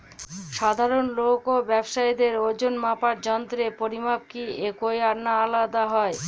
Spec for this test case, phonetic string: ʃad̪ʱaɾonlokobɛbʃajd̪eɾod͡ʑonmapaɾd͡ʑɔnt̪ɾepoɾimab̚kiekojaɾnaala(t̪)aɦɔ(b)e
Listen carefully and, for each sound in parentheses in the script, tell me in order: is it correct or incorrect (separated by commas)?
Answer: incorrect, incorrect